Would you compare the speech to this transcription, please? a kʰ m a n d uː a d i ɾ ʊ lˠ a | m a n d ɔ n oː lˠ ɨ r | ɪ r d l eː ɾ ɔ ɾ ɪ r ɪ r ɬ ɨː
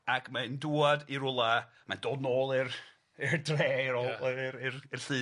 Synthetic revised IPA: a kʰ m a n d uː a d i ɾ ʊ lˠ a | m a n d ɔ n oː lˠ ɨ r | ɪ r d r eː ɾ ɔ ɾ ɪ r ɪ r ɬ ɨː